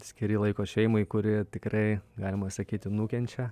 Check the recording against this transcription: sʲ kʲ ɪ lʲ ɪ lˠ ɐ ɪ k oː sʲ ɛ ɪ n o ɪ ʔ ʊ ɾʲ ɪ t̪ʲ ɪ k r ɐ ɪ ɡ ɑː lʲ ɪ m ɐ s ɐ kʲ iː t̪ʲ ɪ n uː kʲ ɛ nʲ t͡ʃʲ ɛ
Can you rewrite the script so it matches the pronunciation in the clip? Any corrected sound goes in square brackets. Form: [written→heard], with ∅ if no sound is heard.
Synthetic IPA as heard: sʲ kʲ ɪ [lʲ→ɾʲ] ɪ lˠ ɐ ɪ k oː [sʲ→ʃʲ] ɛ ɪ [n→m] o ɪ [ʔ→k] ʊ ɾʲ ɪ t̪ʲ ɪ k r ɐ ɪ ɡ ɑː lʲ ɪ m ɐ s ɐ kʲ iː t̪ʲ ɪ n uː kʲ ɛ nʲ t͡ʃʲ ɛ

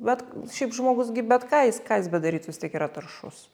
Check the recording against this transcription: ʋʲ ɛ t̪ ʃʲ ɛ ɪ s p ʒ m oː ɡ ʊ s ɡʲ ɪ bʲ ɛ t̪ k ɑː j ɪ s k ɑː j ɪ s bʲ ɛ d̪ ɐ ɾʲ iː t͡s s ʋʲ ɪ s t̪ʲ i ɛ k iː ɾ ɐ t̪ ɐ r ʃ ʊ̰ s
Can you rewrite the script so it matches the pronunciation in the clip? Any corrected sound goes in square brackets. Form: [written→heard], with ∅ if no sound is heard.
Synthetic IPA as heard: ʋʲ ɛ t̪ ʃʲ ɛ ɪ [s→∅] p ʒ m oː ɡ ʊ s ɡʲ ɪ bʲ ɛ t̪ k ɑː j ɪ s k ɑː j ɪ s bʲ ɛ d̪ ɐ ɾʲ iː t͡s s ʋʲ ɪ s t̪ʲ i ɛ k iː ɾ ɐ t̪ ɐ r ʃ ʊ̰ s

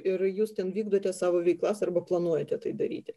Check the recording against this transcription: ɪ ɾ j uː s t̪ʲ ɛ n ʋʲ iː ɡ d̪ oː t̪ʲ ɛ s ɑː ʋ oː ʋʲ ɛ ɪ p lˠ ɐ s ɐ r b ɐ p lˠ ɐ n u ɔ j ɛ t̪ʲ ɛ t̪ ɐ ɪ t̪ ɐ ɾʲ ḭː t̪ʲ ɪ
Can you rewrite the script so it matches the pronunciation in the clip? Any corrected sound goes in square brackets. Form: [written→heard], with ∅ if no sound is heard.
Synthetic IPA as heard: ɪ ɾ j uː s t̪ʲ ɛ n ʋʲ iː ɡ d̪ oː t̪ʲ ɛ s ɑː ʋ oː ʋʲ ɛ ɪ [p→k] lˠ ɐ s ɐ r b ɐ p lˠ ɐ n u ɔ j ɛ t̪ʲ ɛ t̪ ɐ ɪ [t̪→d̪] ɐ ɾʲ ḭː t̪ʲ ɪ

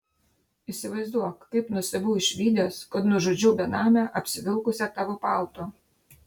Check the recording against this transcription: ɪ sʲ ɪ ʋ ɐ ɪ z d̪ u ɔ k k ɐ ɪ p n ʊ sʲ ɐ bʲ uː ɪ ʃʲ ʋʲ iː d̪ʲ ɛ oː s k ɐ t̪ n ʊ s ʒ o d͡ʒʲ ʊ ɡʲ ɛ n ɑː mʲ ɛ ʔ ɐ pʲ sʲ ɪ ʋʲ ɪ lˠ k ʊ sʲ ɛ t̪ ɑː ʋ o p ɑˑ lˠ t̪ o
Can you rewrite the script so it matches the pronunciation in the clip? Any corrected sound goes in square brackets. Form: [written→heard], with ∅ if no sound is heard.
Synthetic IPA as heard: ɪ sʲ ɪ ʋ ɐ ɪ z d̪ u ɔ k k ɐ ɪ p n ʊ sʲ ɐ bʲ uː ɪ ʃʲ ʋʲ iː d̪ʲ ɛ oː s k ɐ t̪ n ʊ [s→∅] ʒ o d͡ʒʲ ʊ [ɡʲ→bʲ] ɛ n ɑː mʲ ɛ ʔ ɐ pʲ sʲ ɪ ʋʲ ɪ lˠ k ʊ sʲ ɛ t̪ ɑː ʋ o p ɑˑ lˠ t̪ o

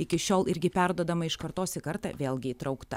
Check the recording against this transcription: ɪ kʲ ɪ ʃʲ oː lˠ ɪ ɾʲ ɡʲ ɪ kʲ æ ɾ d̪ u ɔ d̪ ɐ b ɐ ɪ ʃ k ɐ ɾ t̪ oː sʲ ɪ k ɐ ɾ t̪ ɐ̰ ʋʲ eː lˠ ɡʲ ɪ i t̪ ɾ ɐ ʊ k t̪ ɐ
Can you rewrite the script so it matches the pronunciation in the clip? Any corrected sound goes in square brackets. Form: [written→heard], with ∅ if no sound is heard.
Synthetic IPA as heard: ɪ kʲ ɪ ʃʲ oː lˠ ɪ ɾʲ ɡʲ ɪ [kʲ→pʲ] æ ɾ d̪ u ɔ d̪ ɐ [b→m] ɐ ɪ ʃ k ɐ ɾ t̪ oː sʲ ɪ k ɐ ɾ t̪ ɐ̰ ʋʲ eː lˠ ɡʲ ɪ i t̪ ɾ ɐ ʊ k t̪ ɐ

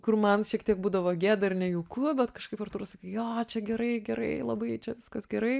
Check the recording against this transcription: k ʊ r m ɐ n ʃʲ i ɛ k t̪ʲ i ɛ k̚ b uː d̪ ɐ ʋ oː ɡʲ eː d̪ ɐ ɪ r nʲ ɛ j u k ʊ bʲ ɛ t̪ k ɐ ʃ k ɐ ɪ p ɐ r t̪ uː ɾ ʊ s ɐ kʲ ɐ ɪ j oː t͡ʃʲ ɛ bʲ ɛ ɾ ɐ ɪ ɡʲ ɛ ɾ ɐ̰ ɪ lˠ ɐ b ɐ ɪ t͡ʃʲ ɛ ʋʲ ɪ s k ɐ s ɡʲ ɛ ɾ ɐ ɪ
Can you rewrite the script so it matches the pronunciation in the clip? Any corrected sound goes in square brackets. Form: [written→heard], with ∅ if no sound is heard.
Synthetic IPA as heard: k ʊ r m ɐ n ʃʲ i ɛ k t̪ʲ i ɛ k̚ b uː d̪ ɐ ʋ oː ɡʲ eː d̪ ɐ ɪ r nʲ ɛ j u k ʊ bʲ ɛ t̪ k ɐ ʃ k ɐ ɪ p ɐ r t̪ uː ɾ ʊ s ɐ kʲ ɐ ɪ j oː t͡ʃʲ ɛ [bʲ→ɡʲ] ɛ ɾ ɐ ɪ ɡʲ ɛ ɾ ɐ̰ ɪ lˠ ɐ b ɐ ɪ t͡ʃʲ ɛ ʋʲ ɪ s k ɐ s ɡʲ ɛ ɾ ɐ ɪ

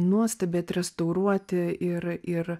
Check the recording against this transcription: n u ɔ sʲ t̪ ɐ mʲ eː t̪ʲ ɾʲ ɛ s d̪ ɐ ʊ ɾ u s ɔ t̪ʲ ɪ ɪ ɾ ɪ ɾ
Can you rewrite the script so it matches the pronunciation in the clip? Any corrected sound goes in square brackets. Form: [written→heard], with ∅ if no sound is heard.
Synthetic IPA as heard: n u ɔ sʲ t̪ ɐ [mʲ→bʲ] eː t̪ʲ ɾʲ ɛ s [d̪→t̪] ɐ ʊ ɾ u [s→∅] ɔ t̪ʲ ɪ ɪ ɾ ɪ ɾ

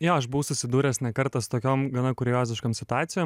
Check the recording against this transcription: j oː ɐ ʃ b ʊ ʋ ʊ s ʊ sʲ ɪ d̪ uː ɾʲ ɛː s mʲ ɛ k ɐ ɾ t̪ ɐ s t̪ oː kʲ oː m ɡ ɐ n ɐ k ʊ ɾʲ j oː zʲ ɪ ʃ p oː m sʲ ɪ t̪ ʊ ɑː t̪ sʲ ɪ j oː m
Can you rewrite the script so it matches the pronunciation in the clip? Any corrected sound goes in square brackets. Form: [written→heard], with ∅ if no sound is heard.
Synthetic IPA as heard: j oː ɐ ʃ b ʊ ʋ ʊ s ʊ sʲ ɪ d̪ uː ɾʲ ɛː s [mʲ→nʲ] ɛ k ɐ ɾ t̪ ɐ s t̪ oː kʲ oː m ɡ ɐ n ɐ k ʊ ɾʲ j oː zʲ ɪ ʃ [p→k] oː m sʲ ɪ t̪ ʊ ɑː t̪ sʲ ɪ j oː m

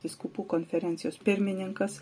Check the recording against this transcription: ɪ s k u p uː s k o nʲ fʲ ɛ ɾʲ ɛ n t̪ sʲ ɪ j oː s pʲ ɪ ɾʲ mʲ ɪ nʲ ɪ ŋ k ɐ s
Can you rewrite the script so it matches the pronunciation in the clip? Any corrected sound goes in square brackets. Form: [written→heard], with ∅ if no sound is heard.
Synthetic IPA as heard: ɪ s k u p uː [s→∅] k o nʲ fʲ ɛ ɾʲ ɛ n t̪ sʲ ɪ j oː s pʲ ɪ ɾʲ mʲ ɪ nʲ ɪ ŋ k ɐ s

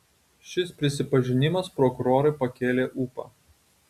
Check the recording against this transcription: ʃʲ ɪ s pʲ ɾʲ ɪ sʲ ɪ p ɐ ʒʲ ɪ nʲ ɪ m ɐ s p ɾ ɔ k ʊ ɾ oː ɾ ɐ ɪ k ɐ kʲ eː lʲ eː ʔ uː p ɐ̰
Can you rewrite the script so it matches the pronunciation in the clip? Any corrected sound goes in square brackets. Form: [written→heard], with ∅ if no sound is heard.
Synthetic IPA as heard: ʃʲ ɪ s pʲ ɾʲ ɪ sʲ ɪ p ɐ ʒʲ ɪ nʲ ɪ m ɐ s p ɾ ɔ k ʊ ɾ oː ɾ ɐ ɪ [k→p] ɐ kʲ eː lʲ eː ʔ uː p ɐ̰

